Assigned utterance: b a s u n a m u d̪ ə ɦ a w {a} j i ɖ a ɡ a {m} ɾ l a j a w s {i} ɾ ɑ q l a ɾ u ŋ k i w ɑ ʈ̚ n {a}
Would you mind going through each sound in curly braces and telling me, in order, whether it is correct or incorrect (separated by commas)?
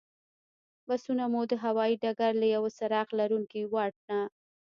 incorrect, incorrect, incorrect, correct